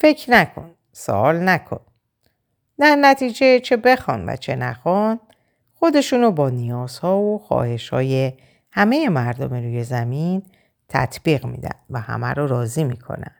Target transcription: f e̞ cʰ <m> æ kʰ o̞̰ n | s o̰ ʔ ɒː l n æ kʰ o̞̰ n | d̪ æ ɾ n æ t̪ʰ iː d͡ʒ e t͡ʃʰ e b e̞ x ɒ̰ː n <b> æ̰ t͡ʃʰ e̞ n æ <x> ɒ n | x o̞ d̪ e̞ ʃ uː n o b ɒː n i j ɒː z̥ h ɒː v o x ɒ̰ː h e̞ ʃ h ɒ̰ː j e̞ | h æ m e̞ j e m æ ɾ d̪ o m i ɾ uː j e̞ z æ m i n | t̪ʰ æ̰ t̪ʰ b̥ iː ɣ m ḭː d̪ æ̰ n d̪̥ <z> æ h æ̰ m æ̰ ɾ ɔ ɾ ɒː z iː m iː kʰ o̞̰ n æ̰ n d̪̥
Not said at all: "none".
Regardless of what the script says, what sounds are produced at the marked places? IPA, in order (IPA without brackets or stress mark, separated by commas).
n, v, x, v